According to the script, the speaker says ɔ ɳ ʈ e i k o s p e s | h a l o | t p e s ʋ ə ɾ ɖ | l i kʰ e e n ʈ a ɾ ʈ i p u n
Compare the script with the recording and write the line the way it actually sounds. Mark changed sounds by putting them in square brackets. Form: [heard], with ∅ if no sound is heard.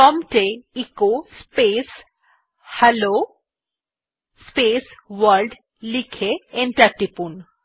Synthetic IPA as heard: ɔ [m] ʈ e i k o s p e s | h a l o | [s] p e s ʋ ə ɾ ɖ | l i kʰ e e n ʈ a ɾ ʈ i p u n